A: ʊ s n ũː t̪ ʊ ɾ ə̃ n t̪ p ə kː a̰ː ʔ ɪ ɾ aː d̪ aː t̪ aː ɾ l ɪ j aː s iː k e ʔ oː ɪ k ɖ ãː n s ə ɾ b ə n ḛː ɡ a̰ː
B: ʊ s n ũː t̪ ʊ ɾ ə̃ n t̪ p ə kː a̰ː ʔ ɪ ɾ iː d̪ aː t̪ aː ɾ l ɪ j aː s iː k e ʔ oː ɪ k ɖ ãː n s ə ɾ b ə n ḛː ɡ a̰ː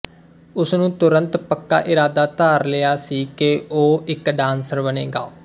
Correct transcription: A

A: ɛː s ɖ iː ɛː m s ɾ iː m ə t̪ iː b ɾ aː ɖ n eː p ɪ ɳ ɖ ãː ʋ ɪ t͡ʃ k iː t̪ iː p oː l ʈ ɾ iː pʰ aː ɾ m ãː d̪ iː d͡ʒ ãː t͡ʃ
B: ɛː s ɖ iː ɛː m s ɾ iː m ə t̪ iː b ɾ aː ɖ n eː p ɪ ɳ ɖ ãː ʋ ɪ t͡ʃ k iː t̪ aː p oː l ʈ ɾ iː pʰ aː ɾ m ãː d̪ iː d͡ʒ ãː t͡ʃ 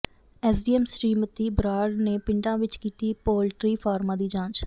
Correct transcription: A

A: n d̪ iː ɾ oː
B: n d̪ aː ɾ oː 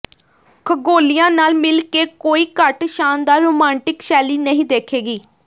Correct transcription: B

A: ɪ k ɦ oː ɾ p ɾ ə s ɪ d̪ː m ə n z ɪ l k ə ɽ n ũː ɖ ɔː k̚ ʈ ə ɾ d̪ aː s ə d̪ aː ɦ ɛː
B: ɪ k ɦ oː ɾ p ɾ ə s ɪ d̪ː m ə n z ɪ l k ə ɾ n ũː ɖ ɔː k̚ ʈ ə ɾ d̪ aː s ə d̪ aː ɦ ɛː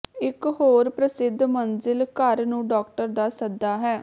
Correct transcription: B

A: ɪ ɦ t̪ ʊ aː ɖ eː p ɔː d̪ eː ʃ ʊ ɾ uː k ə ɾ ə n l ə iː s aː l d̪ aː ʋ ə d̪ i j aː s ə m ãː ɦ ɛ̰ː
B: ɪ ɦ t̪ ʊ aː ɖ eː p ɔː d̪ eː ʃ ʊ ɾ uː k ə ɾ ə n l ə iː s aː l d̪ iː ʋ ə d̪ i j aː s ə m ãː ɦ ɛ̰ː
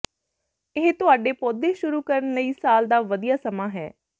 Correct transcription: A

